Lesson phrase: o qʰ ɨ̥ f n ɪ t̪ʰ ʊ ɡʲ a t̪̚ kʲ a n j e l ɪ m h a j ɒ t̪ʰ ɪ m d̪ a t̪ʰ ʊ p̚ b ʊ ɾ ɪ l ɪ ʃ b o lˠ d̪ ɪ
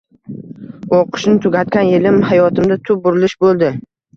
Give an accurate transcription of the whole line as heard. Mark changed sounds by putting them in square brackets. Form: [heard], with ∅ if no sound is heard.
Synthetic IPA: o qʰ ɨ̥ [ʃ] n ɪ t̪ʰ ʊ ɡʲ a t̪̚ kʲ a n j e l ɪ m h a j ɒ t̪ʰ ɪ m d̪ a t̪ʰ ʊ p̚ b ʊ ɾ ɪ l ɪ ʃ b o lˠ d̪ ɪ